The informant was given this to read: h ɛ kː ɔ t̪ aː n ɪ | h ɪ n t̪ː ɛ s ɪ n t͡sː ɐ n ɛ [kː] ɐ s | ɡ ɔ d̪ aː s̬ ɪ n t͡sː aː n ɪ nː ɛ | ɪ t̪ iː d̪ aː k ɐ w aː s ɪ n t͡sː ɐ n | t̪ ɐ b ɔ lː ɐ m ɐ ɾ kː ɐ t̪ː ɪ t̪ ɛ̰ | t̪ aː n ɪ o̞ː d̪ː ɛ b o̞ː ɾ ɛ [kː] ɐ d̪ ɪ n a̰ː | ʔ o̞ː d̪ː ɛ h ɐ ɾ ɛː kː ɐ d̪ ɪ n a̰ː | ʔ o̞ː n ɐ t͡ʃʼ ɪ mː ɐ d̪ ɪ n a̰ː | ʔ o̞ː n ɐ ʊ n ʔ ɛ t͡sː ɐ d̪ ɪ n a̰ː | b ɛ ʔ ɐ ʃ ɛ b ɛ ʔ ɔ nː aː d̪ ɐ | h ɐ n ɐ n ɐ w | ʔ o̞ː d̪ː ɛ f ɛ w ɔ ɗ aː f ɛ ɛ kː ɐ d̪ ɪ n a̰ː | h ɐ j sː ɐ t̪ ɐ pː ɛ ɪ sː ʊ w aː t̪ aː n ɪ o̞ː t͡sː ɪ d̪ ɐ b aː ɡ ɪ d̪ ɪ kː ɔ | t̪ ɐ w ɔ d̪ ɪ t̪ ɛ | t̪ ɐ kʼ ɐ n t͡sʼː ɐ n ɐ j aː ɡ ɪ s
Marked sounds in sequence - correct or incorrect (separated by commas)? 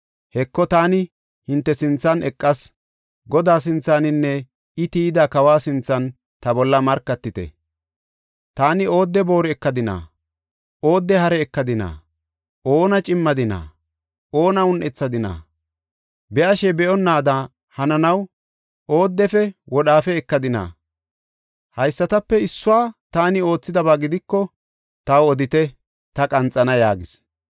incorrect, correct